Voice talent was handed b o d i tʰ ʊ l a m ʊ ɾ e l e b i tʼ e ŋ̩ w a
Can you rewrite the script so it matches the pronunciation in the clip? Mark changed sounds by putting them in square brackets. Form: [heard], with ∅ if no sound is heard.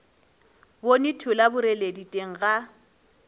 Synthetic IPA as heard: b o [n] i tʰ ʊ l a [b] ʊ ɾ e l e [d] i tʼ e ŋ̩ [ɣ] a